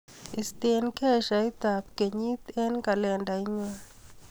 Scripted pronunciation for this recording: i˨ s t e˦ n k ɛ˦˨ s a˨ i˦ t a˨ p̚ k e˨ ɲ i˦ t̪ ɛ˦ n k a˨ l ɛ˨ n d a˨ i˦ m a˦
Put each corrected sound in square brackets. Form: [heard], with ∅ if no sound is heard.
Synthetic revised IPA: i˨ s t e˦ n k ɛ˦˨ [ʃ] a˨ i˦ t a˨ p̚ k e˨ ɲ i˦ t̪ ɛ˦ n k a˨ l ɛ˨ n d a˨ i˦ [ɲ] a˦